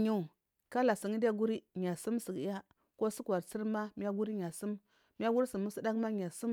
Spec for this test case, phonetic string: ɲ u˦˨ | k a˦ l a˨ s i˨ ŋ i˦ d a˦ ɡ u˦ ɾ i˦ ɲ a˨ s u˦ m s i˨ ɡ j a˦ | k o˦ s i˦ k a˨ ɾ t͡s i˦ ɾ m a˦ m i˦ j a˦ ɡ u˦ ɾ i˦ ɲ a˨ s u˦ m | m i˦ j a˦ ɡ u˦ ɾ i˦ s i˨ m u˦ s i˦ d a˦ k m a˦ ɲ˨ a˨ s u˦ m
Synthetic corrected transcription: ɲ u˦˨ | k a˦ l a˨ s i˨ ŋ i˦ d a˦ ɡ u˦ ɾ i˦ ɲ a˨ s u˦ m s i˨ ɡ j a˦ | k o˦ s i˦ k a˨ ɾ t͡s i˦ ɾ m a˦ m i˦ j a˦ ɡ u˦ ɾ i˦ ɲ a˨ s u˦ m | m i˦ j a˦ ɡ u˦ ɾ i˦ s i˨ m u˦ s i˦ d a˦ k m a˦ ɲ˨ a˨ s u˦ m